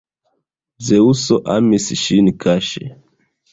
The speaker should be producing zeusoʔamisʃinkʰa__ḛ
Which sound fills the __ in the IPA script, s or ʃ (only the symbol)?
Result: ʃ